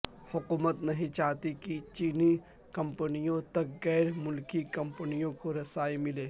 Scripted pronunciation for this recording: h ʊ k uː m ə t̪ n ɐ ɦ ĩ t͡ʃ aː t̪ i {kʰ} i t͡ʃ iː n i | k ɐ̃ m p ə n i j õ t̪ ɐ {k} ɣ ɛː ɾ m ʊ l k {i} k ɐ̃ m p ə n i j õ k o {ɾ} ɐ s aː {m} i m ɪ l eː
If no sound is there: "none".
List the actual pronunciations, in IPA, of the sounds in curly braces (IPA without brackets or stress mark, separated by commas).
k, k, i, ɾ, none